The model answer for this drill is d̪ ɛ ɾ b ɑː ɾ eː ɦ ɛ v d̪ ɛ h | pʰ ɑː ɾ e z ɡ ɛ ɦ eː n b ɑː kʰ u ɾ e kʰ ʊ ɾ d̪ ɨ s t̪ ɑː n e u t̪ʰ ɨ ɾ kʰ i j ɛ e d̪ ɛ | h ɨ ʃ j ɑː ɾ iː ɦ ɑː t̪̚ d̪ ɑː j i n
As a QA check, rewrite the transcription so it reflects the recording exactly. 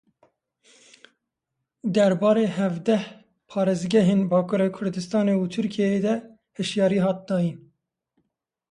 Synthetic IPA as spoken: d̪ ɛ ɾ b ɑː ɾ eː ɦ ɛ v d̪ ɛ h | pʰ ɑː ɾ e z ɡ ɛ ɦ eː n b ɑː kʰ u ɾ e kʰ ʊ ɾ d̪ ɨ s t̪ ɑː n e u t̪ʰ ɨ ɾ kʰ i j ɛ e d̪ ɛ | h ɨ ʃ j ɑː ɾ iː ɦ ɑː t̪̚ d̪ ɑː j i n